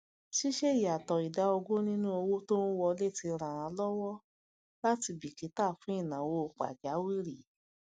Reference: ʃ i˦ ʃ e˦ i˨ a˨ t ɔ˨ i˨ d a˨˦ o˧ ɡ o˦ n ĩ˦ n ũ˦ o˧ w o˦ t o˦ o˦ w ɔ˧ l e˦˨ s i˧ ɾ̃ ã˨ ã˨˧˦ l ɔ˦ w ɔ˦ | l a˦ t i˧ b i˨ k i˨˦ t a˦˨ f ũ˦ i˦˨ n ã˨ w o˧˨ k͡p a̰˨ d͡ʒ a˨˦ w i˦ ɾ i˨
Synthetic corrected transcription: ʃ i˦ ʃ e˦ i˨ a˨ t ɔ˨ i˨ d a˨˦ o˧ ɡ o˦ n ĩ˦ n ũ˦ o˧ w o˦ t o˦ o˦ w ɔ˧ l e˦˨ t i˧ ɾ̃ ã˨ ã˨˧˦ l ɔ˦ w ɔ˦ | l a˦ t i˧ b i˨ k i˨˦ t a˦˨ f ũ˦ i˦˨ n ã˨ w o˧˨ k͡p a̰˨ d͡ʒ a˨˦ w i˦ ɾ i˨